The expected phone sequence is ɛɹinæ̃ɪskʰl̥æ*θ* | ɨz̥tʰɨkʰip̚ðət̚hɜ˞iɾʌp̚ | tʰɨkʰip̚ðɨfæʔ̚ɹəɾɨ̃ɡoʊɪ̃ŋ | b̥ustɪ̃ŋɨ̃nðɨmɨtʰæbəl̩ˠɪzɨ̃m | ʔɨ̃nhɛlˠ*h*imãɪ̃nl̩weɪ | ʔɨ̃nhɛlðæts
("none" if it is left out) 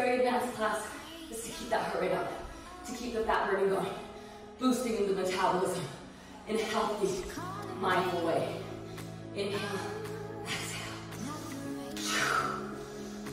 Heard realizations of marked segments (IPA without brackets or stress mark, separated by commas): s, θ